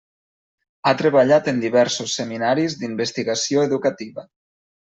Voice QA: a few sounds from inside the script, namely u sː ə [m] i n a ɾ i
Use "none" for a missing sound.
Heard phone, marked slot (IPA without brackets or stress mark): m